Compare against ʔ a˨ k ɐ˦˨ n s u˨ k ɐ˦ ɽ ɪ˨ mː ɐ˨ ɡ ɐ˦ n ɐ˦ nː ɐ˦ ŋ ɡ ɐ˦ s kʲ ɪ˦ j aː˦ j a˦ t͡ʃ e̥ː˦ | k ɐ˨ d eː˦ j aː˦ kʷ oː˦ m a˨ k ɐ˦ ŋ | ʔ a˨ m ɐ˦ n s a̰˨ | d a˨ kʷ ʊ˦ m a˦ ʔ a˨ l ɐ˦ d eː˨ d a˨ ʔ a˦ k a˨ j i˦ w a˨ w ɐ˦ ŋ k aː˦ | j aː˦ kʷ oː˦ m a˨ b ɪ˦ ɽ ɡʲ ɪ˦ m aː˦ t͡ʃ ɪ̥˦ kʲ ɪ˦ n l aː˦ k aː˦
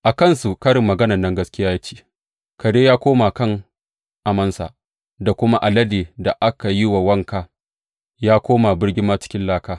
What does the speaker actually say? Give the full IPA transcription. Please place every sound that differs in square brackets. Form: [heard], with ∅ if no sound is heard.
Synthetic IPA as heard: ʔ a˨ k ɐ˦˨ n s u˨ k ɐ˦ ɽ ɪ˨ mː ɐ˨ ɡ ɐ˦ n [ɐ˨] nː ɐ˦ ŋ ɡ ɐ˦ s kʲ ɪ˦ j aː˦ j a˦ t͡ʃ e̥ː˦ | k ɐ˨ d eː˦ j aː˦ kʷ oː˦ m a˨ k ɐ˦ ŋ | ʔ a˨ m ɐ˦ n s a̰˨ | d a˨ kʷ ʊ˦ m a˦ ʔ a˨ l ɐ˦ d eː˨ d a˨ ʔ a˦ k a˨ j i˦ w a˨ w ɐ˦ ŋ k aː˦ | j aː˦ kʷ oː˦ m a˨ b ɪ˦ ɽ ɡʲ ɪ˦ m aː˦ t͡ʃ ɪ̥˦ kʲ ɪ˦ n l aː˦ k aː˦